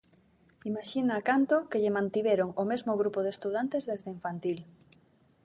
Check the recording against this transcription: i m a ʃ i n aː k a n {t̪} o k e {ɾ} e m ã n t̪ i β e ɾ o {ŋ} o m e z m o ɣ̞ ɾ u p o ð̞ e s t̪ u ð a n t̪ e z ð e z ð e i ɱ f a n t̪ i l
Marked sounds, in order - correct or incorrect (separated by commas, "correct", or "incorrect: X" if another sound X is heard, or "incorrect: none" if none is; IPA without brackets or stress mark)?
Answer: correct, incorrect: ʎ, correct